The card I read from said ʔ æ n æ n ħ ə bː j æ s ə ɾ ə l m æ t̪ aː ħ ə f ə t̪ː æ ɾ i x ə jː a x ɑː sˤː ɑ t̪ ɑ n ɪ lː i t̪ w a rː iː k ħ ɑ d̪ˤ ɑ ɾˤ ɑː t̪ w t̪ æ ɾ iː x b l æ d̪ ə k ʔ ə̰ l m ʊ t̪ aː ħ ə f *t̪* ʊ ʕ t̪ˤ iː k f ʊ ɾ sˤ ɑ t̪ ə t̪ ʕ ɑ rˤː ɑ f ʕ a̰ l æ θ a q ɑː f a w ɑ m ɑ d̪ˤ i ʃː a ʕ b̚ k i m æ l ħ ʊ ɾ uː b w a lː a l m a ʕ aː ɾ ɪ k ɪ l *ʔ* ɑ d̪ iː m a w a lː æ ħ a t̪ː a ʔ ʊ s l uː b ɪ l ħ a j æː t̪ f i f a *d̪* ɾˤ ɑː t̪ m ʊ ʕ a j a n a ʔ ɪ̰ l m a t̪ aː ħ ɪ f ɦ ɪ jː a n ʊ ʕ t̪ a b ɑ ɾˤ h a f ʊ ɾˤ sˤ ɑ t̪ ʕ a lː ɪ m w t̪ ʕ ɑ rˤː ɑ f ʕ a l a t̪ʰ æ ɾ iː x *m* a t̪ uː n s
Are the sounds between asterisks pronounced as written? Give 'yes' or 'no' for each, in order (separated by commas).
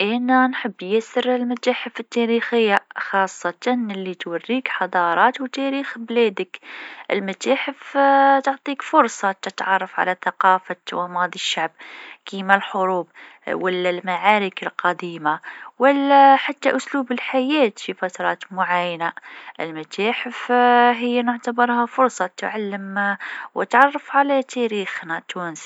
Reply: yes, no, no, no